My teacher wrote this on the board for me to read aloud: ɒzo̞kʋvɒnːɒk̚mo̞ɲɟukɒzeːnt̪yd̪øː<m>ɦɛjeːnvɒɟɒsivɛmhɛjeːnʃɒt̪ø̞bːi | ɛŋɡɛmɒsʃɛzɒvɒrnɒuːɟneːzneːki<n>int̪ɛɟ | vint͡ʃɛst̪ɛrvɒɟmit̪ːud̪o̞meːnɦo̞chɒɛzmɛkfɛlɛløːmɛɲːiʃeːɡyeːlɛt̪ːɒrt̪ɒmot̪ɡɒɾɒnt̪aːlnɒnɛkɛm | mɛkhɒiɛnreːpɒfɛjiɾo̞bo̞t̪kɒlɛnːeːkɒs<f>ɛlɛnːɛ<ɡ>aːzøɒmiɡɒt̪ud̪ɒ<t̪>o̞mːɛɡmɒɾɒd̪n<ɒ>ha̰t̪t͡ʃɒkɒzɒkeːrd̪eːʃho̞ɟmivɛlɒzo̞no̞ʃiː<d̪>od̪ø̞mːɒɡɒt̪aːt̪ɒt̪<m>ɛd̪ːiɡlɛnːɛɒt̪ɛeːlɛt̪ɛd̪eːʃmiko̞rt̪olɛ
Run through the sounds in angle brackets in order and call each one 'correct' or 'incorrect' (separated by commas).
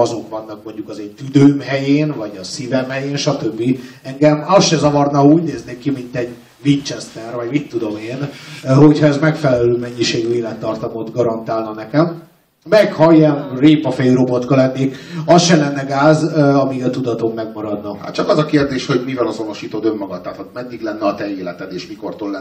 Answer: correct, incorrect, incorrect, correct, correct, correct, incorrect, correct